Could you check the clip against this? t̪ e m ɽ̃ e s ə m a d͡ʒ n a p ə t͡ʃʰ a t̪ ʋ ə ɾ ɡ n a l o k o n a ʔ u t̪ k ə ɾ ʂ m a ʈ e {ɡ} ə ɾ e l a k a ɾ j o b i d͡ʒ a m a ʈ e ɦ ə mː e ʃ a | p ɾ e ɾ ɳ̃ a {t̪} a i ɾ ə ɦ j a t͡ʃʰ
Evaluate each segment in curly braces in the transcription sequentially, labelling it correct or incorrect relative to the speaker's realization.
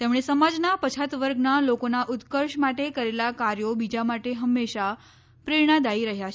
incorrect, incorrect

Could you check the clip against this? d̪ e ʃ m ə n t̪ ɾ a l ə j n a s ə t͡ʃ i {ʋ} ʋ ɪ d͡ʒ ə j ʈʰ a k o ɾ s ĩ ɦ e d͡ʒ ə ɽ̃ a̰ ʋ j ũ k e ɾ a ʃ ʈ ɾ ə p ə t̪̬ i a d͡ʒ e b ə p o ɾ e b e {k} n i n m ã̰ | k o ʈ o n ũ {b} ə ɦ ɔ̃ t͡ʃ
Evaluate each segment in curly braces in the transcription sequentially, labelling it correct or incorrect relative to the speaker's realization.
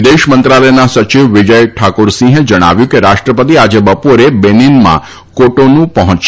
correct, incorrect, incorrect

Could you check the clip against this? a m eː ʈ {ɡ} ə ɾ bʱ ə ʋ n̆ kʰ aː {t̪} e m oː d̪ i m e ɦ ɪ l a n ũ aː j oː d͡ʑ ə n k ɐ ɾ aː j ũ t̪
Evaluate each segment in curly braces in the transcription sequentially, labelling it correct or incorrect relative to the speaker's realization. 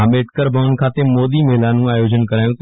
incorrect, correct

